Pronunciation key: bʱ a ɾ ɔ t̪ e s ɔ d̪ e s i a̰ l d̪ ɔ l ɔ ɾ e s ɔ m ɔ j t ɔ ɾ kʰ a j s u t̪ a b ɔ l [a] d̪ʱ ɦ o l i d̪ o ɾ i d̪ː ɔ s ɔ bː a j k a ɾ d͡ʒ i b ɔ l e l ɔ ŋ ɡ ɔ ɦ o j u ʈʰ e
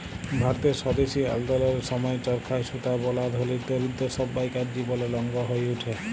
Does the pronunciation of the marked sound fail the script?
no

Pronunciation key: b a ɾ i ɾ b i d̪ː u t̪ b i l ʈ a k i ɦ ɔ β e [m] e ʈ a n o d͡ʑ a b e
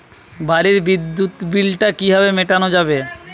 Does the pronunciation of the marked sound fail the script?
no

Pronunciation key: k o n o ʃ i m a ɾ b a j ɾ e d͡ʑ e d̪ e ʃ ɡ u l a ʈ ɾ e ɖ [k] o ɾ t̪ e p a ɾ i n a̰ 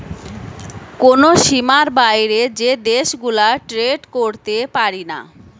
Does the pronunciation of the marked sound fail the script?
no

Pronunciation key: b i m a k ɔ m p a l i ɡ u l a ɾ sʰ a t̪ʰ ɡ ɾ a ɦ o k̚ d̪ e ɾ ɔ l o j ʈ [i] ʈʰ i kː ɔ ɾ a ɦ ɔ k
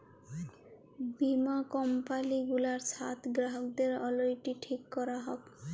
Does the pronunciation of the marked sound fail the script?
no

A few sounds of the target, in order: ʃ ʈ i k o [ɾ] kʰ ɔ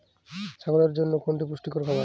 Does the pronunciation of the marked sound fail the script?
no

